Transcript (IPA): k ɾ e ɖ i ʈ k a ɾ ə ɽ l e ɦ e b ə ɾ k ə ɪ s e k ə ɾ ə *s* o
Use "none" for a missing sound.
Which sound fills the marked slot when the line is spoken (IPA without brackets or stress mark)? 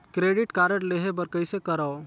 none